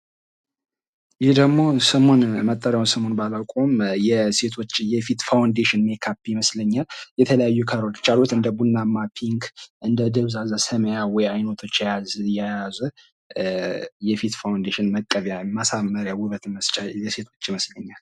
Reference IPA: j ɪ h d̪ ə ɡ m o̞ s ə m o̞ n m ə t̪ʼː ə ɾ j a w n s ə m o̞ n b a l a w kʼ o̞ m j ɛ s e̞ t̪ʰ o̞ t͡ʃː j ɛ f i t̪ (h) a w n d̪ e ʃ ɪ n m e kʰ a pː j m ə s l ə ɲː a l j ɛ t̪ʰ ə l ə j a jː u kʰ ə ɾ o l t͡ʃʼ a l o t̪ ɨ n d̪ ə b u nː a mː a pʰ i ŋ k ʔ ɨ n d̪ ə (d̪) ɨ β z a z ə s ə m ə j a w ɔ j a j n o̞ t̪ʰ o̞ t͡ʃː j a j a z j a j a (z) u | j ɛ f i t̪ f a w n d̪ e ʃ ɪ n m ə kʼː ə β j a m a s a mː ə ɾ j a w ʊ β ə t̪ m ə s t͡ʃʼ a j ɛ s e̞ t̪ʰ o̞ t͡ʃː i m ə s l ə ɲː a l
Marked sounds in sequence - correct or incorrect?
incorrect: f, correct, correct

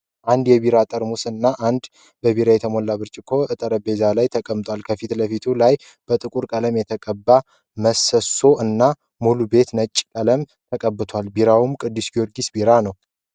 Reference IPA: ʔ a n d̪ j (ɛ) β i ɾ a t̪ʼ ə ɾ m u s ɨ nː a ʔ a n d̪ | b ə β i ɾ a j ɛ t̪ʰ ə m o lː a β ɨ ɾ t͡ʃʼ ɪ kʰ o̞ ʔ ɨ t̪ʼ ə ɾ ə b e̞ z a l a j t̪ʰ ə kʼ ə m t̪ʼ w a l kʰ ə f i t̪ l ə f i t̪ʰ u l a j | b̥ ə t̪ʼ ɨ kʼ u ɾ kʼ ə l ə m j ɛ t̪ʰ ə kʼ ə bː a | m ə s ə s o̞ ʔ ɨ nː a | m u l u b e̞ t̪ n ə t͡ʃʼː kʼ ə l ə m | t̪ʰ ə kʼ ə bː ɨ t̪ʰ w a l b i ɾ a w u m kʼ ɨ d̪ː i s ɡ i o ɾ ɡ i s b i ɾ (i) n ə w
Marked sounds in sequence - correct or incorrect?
correct, incorrect: a

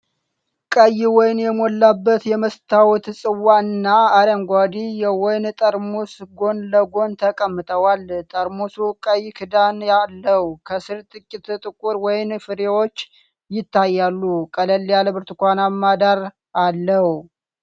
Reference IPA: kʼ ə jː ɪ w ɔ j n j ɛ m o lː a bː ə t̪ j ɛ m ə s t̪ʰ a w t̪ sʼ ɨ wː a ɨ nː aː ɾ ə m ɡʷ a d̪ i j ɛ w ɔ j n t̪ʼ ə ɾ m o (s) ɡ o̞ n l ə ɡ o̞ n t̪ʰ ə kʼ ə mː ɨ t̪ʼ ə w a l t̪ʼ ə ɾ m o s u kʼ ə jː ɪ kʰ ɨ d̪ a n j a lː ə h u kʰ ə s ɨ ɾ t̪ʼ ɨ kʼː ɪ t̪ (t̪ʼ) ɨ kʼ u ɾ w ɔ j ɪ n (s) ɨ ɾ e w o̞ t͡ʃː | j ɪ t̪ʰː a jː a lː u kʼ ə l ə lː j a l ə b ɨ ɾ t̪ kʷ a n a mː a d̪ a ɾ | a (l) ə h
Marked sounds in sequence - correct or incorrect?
correct, correct, incorrect: f, incorrect: lː

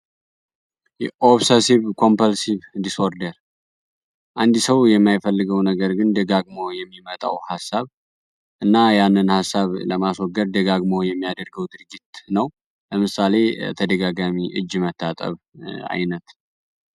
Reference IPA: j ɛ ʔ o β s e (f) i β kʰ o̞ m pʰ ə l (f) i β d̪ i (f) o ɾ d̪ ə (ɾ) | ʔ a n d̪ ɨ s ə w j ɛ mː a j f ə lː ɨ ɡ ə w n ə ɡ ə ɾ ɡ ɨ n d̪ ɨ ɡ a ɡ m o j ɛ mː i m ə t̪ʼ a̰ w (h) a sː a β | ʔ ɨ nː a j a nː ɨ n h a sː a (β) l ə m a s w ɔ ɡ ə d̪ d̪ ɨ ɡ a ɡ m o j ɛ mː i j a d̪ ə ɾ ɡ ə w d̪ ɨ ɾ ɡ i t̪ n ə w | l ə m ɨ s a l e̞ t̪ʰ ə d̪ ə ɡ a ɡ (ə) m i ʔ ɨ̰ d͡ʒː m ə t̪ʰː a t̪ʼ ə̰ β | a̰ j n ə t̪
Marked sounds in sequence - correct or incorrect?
incorrect: s, incorrect: s, incorrect: s, correct, correct, correct, incorrect: a

